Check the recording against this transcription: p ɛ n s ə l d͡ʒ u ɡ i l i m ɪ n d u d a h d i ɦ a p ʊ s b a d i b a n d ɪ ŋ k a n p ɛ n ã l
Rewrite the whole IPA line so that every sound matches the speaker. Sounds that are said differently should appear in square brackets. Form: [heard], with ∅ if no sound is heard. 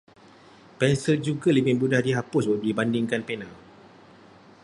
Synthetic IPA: p ɛ n s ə l d͡ʒ u ɡ [a] l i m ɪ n [b] u d a h d i ɦ a p ʊ s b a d i b a n d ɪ ŋ k a n p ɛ n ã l